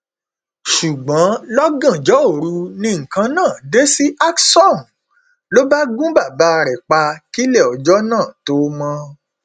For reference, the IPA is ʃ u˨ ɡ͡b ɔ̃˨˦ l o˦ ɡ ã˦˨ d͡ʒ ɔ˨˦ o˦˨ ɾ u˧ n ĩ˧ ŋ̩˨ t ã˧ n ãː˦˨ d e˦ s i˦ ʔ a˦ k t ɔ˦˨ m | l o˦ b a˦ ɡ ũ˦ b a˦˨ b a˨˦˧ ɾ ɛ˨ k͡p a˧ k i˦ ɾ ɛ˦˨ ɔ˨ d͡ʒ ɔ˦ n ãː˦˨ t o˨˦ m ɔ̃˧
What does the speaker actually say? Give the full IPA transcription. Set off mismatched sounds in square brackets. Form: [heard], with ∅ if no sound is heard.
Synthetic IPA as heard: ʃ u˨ ɡ͡b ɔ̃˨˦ l [ɔ˦] ɡ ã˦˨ d͡ʒ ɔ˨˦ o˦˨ ɾ u˧ n ĩ˧ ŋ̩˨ [k] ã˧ n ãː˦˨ d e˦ s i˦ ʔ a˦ k [s] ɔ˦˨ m | l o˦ b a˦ ɡ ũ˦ b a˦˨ b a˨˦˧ ɾ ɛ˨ k͡p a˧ k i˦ [l] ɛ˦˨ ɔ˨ d͡ʒ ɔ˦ n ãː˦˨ t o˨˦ m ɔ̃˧